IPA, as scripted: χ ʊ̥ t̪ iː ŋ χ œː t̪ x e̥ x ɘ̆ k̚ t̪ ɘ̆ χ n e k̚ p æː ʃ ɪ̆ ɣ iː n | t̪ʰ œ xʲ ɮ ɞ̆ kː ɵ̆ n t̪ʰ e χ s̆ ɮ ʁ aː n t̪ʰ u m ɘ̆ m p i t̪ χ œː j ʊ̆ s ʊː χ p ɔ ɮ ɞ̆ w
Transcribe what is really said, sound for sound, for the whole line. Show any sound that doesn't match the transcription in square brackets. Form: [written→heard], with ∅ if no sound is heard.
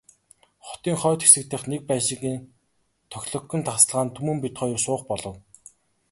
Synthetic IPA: χ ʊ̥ t̪ iː ŋ χ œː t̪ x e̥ [x→s] ɘ̆ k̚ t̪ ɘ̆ χ n e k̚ p æː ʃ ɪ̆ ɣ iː n | t̪ʰ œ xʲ ɮ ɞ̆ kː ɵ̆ n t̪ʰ [e→a] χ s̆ ɮ ʁ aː n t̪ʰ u m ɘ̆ m p i t̪ χ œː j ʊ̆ s ʊː χ p ɔ ɮ ɞ̆ w